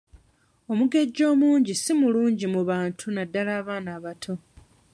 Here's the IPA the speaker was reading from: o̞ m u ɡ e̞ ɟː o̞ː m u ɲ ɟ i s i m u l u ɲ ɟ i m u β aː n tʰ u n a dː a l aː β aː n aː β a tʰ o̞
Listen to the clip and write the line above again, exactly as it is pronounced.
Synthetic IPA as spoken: o̞ m u ɡ e̞ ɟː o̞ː m uː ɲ ɟ i s i m u l uː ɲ ɟ i m u β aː n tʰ u n a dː a l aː β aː n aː β a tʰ o̞